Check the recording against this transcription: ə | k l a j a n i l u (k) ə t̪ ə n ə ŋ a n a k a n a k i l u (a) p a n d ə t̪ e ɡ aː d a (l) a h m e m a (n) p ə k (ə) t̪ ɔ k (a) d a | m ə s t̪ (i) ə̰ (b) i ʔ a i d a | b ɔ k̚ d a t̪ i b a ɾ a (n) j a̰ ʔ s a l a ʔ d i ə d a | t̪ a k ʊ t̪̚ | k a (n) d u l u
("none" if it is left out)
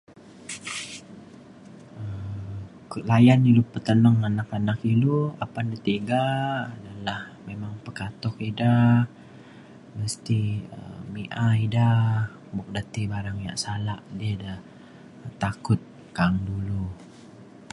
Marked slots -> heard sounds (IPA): p, a, l, ŋ, a, i, i, m, ŋ, ŋ

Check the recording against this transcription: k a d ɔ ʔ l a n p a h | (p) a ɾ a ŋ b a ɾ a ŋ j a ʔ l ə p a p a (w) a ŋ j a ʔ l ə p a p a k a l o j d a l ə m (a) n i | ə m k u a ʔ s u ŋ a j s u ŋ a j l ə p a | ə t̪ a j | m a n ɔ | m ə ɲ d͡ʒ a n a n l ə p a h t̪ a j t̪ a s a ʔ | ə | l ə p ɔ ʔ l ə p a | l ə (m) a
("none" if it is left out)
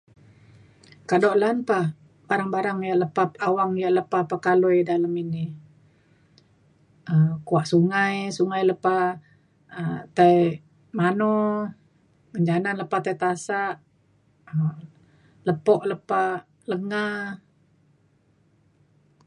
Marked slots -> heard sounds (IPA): b, w, i, ŋ

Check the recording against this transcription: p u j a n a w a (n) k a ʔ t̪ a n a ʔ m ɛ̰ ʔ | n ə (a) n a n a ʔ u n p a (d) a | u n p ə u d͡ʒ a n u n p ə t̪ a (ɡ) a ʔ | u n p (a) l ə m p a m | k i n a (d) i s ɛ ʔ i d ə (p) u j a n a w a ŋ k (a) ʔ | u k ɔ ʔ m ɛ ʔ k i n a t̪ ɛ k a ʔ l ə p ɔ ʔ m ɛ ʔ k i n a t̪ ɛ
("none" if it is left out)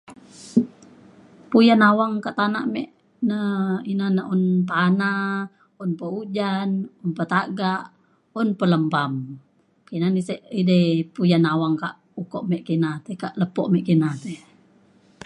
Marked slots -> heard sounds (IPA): ŋ, i, n, ɡ, ə, n, p, a

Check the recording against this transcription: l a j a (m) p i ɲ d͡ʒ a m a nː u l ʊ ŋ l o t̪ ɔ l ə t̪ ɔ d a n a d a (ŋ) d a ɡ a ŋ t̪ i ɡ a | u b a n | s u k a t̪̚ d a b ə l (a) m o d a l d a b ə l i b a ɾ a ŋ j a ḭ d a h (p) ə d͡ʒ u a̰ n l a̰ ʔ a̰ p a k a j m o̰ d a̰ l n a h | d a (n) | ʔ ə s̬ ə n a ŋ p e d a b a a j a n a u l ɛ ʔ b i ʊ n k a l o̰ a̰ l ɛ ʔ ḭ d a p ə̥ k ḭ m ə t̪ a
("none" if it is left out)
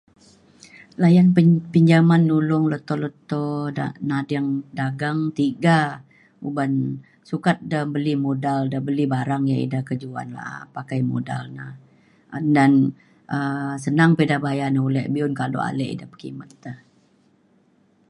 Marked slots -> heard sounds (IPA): n, ŋ, i, k, n

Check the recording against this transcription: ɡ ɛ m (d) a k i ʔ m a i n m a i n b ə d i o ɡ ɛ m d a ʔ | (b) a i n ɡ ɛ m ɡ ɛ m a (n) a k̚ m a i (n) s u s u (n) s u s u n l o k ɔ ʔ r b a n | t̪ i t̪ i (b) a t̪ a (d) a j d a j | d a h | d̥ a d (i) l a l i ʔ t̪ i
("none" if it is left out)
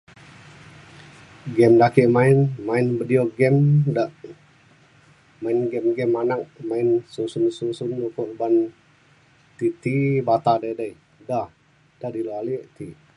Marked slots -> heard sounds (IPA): d, m, n, n, n, b, d, i

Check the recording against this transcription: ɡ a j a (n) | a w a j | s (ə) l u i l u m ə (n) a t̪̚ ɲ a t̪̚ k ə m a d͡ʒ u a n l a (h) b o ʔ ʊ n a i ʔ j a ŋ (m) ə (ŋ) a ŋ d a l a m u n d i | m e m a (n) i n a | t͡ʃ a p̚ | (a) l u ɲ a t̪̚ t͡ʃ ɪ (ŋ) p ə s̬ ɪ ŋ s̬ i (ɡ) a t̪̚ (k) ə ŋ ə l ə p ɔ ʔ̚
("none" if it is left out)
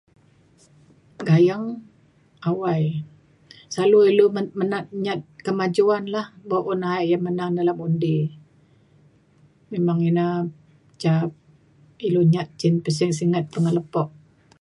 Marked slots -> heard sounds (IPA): ŋ, a, n, h, m, n, ŋ, i, n, ŋ, p

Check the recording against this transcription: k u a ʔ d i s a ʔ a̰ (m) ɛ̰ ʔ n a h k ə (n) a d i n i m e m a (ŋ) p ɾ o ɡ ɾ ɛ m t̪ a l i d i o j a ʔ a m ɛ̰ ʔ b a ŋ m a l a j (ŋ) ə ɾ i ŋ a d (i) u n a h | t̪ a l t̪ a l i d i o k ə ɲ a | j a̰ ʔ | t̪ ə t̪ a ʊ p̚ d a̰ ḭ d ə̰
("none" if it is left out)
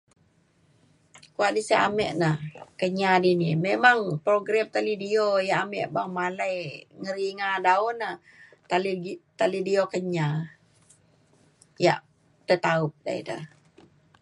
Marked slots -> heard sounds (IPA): m, ɲ, ŋ, ŋ, a

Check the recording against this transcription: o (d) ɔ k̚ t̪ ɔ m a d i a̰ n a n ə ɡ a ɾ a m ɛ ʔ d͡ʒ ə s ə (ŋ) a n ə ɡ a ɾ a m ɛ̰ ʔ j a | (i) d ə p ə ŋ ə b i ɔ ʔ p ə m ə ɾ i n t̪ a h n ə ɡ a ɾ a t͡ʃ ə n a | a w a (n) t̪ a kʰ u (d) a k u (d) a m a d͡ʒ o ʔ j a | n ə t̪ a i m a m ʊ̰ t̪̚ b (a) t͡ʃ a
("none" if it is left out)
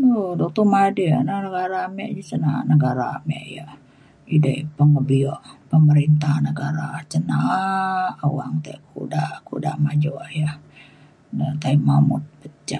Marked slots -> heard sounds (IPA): d, n, i, ŋ, d, d, ə

